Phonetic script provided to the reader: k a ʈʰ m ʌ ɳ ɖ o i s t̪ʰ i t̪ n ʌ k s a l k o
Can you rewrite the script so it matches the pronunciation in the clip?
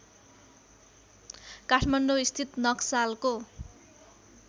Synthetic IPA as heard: k a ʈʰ m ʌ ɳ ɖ o i s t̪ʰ i t̪ n ʌ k s a l k o